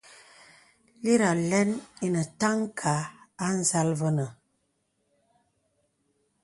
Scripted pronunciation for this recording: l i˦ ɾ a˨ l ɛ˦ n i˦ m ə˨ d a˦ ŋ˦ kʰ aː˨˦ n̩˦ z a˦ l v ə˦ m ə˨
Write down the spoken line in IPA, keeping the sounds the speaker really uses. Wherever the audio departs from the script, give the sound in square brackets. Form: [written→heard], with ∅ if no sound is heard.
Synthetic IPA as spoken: l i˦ ɾ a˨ l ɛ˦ n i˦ [m→n] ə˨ [d→t] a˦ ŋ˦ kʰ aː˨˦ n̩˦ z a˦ l v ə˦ [m→n] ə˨

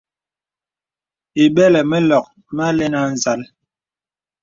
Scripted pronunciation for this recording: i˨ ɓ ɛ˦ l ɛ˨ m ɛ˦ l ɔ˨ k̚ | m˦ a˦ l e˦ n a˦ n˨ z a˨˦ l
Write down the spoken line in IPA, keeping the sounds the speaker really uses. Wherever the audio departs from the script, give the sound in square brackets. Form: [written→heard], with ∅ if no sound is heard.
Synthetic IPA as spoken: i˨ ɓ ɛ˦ l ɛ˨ m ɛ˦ l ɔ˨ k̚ | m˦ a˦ l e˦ n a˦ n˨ z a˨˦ l

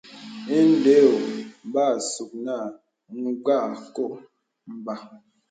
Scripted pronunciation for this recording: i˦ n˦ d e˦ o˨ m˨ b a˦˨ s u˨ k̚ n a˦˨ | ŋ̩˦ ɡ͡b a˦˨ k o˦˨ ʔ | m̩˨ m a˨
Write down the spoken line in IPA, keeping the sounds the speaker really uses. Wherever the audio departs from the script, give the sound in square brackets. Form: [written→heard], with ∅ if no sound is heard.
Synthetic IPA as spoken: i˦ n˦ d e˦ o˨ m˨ b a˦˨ s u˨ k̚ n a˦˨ | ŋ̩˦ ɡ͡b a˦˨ k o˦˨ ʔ | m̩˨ [m→b] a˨

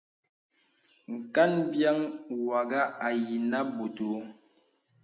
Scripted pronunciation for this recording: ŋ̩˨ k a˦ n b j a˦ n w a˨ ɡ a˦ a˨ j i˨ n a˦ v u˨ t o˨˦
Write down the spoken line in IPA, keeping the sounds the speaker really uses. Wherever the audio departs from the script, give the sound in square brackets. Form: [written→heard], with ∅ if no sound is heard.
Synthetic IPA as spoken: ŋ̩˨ k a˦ n b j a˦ [n→ŋ] w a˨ ɡ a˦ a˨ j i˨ n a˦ [v→b] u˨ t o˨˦

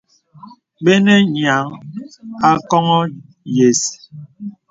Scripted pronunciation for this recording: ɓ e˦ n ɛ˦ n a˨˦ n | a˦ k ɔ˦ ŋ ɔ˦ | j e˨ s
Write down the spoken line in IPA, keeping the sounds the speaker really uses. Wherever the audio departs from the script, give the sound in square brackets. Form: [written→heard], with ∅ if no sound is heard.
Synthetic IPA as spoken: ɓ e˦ n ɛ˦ [n→ɲ] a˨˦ [n→ŋ] | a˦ k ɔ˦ ŋ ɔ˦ | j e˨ s

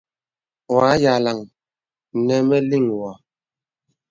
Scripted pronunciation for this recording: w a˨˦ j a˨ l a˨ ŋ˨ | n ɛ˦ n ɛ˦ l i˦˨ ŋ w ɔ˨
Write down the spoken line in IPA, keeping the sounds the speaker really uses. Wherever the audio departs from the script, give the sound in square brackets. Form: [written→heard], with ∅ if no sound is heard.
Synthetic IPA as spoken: w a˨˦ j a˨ l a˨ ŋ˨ | n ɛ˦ [n→m] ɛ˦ l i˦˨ ŋ w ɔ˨

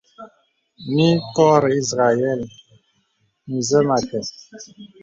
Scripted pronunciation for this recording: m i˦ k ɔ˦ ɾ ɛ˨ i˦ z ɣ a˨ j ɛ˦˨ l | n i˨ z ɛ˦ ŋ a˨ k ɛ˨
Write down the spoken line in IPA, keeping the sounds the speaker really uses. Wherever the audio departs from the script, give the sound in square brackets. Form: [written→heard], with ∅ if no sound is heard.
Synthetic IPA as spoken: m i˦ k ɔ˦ ɾ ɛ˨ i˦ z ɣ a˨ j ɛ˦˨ l | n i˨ z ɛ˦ [ŋ→m] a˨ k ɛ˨

